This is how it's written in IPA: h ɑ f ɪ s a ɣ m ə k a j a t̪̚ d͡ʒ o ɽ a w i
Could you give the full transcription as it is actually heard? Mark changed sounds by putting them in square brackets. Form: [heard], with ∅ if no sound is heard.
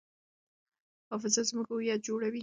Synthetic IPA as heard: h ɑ f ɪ [z] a [z] m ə k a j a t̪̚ d͡ʒ o ɽ a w i